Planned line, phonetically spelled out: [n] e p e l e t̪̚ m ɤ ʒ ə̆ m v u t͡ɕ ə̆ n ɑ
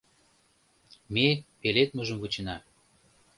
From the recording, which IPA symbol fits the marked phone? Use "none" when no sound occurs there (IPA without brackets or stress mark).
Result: m